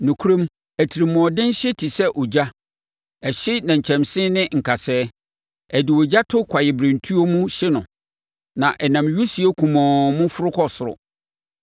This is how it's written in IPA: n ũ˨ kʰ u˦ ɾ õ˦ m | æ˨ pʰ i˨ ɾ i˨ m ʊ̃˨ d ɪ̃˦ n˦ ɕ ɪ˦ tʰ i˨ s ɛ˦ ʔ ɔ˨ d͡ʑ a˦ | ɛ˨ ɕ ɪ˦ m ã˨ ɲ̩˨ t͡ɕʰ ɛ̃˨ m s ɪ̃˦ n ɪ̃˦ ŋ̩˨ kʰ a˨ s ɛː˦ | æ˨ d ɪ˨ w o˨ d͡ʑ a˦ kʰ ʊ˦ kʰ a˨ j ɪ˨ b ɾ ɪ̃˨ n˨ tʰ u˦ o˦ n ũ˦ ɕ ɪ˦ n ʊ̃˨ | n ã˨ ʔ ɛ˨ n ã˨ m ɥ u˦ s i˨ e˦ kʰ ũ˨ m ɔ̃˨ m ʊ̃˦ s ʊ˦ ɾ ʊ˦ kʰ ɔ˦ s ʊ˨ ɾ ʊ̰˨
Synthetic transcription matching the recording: n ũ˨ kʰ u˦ ɾ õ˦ m | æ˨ tʰ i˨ ɾ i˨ m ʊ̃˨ d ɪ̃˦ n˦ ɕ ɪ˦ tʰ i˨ s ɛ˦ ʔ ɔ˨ d͡ʑ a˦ | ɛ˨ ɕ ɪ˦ n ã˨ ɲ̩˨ t͡ɕʰ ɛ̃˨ m s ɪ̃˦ n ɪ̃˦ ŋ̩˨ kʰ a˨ s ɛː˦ | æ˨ d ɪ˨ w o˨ d͡ʑ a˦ tʰ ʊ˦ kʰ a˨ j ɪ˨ b ɾ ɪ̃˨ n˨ tʰ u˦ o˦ m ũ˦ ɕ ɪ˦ n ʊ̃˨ | n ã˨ ʔ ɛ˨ n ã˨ m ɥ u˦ s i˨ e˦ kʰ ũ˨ m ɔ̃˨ m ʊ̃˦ f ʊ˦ ɾ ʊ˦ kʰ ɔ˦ s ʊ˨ ɾ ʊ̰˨